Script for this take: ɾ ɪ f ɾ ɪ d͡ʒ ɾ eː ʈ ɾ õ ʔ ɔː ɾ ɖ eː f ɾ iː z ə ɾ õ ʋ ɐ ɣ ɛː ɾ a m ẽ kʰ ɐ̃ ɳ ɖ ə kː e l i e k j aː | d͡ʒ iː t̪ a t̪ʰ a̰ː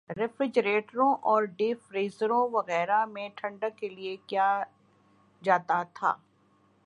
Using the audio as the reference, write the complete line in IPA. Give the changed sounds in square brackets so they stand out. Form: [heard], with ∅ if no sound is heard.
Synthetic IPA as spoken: ɾ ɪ f ɾ ɪ d͡ʒ ɾ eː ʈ ɾ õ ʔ ɔː ɾ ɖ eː f ɾ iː z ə ɾ õ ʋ ɐ ɣ ɛː ɾ a m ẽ [ʈʰ] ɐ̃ ɳ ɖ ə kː e l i e k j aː | d͡ʒ [aː] t̪ a t̪ʰ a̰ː